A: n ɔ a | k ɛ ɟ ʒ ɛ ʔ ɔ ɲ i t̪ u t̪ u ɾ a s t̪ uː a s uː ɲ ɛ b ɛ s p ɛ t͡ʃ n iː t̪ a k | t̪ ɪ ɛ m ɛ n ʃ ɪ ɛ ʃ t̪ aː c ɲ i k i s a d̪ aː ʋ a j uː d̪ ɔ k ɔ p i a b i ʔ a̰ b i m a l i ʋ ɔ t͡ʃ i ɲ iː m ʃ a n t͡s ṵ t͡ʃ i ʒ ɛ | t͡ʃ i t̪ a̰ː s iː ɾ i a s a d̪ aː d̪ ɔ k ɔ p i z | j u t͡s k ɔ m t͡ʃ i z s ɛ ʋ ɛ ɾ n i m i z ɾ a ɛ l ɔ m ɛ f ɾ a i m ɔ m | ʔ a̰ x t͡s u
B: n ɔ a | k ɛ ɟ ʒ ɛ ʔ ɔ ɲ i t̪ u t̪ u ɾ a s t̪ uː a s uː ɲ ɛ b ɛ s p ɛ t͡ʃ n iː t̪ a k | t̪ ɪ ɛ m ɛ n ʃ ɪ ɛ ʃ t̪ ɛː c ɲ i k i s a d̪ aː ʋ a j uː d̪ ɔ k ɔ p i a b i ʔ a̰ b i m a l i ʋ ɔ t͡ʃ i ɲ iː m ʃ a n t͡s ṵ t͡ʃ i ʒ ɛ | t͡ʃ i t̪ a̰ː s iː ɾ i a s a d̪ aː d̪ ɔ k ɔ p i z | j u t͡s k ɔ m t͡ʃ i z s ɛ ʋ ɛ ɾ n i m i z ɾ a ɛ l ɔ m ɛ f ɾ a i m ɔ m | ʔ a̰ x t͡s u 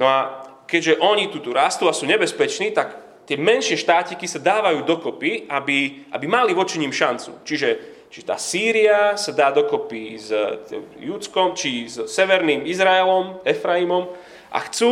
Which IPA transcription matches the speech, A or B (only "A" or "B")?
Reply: A